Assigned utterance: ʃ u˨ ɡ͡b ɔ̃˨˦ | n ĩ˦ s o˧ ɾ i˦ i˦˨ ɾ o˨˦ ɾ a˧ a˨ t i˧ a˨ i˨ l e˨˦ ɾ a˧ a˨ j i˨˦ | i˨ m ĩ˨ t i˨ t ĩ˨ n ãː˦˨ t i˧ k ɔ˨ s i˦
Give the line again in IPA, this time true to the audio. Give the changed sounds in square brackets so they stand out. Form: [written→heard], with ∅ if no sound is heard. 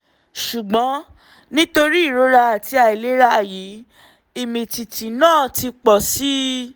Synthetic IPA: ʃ u˨ ɡ͡b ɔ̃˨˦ | n ĩ˦ [s→t] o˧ ɾ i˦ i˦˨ ɾ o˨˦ ɾ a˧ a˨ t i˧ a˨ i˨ l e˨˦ ɾ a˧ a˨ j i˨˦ | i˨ m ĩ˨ t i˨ t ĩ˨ n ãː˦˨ t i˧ [k→k͡p] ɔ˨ s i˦

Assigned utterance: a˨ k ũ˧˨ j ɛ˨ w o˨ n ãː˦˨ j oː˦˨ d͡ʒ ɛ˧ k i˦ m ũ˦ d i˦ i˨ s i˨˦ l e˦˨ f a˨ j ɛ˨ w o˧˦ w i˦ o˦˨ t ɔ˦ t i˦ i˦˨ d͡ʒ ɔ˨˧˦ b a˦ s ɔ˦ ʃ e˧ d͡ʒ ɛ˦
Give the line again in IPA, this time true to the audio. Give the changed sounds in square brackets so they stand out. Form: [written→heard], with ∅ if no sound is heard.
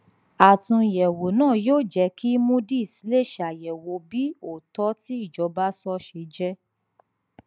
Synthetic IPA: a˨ [k→t] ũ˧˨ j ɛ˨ w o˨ n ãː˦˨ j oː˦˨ d͡ʒ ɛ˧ k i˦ m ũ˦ d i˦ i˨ s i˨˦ l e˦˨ [f→ʃ] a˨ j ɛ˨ w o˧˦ [w→b] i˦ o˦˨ t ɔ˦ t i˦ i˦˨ d͡ʒ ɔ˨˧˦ b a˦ s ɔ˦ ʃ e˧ d͡ʒ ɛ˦

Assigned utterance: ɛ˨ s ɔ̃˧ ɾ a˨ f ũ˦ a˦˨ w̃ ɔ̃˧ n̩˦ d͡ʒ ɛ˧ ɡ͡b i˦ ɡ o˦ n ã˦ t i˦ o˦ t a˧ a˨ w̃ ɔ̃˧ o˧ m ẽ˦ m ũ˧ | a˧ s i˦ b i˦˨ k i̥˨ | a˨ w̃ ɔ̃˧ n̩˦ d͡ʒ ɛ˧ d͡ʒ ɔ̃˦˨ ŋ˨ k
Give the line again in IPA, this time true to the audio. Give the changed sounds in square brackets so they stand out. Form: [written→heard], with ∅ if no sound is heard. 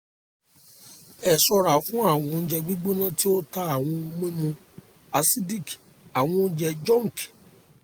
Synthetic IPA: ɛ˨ s [ɔ̃˧→ɔ˧] ɾ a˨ f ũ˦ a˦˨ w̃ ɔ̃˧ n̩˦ d͡ʒ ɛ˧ ɡ͡b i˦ [ɡ→ɡ͡b] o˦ n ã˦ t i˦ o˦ t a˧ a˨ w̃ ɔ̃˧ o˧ m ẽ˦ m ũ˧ | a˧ s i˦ [b→d] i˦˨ k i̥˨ | a˨ w̃ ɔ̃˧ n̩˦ d͡ʒ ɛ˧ d͡ʒ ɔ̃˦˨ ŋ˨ k

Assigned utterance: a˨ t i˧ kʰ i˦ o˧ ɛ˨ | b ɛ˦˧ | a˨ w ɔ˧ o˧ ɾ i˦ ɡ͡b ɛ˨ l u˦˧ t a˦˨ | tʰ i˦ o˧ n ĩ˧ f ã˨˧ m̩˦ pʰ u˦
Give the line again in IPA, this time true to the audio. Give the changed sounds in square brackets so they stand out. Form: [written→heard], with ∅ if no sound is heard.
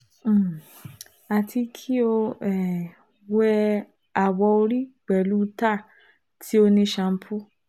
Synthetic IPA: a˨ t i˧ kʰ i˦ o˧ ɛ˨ | [b→w] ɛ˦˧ | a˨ w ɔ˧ o˧ ɾ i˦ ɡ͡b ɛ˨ l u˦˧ t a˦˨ | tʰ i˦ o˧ n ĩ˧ [f→ʃ] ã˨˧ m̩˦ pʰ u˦

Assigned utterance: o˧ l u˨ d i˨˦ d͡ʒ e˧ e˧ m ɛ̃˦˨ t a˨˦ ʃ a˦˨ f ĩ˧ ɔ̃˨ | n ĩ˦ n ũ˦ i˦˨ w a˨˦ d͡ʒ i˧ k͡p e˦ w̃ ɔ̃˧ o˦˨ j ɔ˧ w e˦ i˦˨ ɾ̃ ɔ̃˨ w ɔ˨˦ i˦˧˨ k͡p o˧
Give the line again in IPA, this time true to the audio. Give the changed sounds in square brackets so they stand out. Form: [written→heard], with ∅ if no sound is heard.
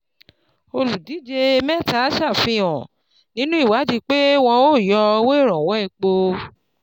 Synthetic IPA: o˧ l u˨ d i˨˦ d͡ʒ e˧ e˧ m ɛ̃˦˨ t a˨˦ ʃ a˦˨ f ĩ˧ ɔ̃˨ | n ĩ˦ n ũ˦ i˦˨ w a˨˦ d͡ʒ i˧ k͡p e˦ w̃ ɔ̃˧ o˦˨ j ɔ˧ w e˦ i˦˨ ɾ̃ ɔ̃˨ w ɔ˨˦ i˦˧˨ k͡p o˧

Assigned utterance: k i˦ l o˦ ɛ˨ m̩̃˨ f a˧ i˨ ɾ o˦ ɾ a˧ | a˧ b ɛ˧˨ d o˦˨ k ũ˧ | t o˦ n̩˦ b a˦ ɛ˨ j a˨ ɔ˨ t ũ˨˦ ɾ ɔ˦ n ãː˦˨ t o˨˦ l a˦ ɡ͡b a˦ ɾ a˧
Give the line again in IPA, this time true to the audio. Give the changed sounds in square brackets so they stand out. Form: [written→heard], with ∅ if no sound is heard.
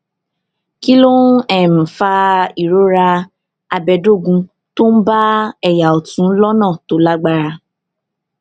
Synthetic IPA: k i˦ l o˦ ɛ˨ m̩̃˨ f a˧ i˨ ɾ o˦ ɾ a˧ | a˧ b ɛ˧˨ d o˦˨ [k→ɡ] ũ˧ | t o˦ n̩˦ b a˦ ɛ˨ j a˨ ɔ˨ t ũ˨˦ [ɾ→l] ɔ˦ n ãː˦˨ t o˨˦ l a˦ ɡ͡b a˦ ɾ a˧

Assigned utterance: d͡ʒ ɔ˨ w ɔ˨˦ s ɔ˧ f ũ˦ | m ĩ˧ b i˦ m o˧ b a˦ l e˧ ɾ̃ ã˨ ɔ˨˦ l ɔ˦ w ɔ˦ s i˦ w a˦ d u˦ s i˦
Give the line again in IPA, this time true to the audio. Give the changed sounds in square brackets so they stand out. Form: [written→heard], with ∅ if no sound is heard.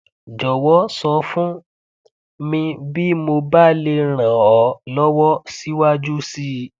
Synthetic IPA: d͡ʒ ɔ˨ w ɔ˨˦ s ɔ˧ f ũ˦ | m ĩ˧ b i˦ m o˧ b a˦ l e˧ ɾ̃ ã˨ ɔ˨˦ l ɔ˦ w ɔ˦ s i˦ w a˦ [d→d͡ʒ] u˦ s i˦

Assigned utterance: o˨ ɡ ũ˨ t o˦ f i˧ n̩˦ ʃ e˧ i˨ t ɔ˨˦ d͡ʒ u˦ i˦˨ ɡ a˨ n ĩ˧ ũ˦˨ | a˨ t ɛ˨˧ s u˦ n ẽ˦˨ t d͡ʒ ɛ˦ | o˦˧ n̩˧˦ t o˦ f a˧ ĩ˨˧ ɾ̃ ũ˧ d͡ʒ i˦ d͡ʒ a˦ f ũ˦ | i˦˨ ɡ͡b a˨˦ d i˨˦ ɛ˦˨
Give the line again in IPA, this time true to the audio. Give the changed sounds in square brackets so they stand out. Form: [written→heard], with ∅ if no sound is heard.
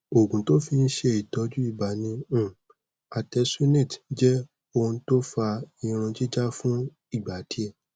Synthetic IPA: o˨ ɡ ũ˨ t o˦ f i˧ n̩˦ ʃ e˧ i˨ t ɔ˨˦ d͡ʒ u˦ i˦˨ [ɡ→b] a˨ n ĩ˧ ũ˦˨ | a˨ t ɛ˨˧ s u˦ n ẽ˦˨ t d͡ʒ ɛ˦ | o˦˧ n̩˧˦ t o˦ f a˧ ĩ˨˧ ɾ̃ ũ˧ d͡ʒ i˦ d͡ʒ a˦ f ũ˦ | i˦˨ ɡ͡b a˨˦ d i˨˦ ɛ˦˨

